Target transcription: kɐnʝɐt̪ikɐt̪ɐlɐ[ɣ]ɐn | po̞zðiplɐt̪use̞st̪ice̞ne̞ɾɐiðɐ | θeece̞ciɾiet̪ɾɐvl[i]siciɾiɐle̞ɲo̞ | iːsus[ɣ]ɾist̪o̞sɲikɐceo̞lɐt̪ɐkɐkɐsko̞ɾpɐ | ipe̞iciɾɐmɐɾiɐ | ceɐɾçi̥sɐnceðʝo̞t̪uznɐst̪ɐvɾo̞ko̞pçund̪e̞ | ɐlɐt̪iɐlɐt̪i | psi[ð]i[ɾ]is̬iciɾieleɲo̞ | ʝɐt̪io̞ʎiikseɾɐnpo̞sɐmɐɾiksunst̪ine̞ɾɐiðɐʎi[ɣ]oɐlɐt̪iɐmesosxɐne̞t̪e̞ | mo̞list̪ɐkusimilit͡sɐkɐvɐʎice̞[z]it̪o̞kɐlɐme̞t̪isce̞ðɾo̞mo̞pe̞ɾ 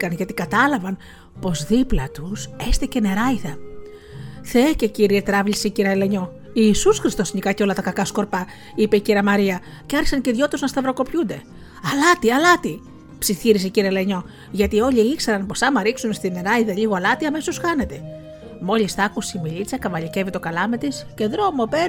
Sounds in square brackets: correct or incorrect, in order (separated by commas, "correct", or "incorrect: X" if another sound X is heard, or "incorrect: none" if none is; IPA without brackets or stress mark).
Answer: incorrect: v, correct, incorrect: x, incorrect: θ, correct, correct, incorrect: v